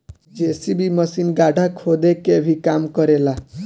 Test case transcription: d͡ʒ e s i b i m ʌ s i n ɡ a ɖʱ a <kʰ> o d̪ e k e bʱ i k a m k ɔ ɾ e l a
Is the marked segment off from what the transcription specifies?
no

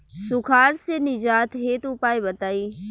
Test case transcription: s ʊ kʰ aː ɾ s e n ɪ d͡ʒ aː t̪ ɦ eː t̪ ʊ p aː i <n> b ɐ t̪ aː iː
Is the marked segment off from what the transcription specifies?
yes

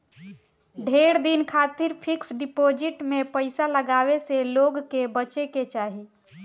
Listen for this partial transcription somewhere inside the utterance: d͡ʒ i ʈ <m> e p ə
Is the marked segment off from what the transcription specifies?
no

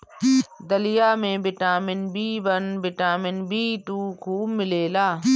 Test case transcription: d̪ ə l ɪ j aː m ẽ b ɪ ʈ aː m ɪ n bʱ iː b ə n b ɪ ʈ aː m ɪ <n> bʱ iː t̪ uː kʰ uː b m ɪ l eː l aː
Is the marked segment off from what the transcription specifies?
no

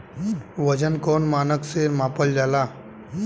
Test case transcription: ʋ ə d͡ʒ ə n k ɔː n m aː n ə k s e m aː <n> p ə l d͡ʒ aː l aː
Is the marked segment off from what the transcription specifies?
yes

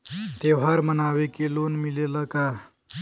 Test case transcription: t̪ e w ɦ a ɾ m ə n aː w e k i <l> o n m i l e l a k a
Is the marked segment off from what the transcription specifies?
no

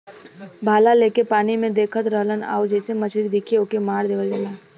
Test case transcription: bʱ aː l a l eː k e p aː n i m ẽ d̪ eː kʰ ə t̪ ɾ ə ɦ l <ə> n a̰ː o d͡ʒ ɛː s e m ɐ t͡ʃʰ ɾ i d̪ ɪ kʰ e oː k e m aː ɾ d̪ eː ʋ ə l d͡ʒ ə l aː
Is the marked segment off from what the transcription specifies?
no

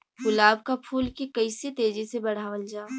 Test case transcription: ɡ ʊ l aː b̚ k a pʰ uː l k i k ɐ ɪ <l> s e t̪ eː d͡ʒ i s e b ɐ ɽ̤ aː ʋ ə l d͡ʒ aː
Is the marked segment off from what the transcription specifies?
yes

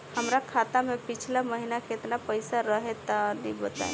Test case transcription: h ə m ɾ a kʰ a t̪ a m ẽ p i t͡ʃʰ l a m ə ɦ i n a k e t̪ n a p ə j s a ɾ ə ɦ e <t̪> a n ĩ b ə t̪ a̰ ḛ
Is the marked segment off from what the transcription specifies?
no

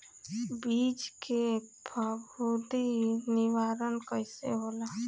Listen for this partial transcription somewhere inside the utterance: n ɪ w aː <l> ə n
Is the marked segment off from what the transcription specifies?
yes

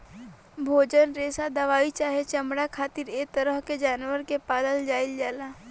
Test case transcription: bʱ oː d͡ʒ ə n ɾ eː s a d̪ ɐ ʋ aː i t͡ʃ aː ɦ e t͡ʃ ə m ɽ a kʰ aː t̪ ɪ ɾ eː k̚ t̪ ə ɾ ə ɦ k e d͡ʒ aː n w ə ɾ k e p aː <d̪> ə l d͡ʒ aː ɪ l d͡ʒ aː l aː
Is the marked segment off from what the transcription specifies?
no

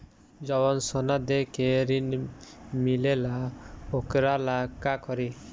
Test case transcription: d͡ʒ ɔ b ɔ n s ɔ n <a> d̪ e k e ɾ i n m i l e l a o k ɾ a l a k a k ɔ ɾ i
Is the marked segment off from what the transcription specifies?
no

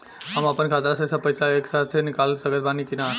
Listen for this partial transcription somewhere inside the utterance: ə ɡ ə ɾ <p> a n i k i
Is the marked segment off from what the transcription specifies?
yes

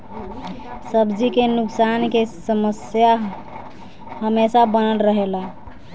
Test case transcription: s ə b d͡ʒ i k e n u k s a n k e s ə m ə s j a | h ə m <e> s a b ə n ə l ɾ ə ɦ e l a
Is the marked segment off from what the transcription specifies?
no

